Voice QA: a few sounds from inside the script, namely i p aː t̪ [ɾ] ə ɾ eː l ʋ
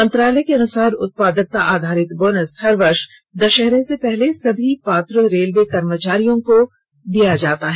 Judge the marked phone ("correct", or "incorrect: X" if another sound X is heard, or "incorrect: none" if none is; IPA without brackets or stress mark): correct